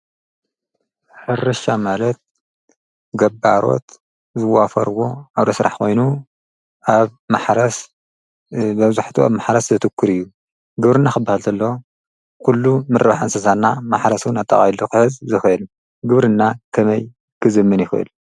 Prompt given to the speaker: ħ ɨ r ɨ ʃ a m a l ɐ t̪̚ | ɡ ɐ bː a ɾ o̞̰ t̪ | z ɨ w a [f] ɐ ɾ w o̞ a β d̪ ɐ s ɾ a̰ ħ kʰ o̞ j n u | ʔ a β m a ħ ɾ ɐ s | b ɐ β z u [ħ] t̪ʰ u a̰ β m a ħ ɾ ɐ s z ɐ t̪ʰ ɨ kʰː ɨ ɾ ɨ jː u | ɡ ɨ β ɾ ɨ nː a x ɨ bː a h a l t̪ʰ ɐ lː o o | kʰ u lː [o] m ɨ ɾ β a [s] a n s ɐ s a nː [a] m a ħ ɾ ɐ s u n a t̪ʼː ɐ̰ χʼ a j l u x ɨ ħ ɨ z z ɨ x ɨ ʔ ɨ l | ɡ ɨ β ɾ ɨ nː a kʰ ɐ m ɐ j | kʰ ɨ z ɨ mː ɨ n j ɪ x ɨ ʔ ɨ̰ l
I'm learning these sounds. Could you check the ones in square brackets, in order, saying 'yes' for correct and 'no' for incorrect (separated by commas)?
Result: yes, yes, no, no, yes